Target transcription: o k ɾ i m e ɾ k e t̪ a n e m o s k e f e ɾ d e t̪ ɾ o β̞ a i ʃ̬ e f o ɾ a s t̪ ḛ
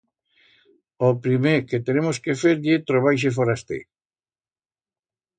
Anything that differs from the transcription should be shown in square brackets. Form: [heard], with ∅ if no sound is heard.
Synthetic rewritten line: o [p] ɾ i m e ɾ k e t̪ [e] n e m o s k e f e ɾ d e t̪ ɾ o β̞ a [j] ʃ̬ e f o ɾ a s t̪ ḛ